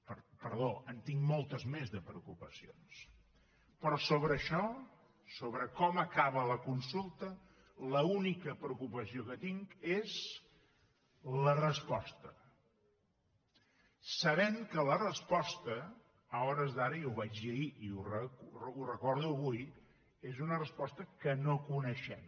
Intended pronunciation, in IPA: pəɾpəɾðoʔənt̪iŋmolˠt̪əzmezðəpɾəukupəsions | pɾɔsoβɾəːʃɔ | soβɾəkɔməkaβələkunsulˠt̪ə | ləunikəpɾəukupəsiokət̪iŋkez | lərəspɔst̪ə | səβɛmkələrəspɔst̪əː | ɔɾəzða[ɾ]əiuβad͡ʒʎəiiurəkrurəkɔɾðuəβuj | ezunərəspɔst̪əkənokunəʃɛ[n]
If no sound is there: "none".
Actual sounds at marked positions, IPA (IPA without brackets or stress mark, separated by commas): ɾ, m